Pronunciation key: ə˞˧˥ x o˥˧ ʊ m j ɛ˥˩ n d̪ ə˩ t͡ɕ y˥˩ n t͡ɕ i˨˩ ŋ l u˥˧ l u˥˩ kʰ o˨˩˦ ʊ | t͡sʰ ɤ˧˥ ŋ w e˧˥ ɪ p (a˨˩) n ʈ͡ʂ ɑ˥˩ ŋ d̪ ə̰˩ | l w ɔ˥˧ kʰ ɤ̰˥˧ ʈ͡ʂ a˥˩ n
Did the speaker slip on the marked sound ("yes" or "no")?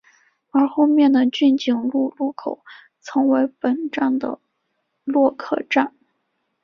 yes